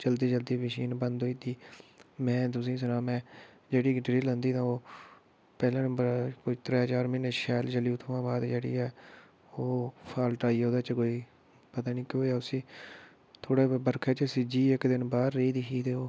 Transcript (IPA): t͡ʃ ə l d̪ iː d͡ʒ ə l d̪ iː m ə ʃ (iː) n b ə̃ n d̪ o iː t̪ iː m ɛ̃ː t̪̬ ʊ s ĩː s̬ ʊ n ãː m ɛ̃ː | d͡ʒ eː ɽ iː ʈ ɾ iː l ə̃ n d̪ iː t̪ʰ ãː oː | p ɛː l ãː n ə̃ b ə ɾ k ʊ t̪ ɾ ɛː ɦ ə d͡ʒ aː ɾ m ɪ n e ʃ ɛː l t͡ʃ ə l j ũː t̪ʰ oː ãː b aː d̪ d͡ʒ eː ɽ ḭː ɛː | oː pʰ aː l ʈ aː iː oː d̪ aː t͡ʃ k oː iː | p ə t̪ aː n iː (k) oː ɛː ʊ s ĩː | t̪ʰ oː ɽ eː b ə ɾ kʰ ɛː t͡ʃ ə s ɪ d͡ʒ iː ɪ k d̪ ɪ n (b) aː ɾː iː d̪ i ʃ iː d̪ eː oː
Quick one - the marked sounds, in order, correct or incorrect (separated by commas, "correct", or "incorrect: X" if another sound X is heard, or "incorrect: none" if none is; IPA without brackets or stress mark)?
correct, correct, correct